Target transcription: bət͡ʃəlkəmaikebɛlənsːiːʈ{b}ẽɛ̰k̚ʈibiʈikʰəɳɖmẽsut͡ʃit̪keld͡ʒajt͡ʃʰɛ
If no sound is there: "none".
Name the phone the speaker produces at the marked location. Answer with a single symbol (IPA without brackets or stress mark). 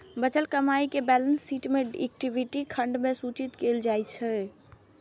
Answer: m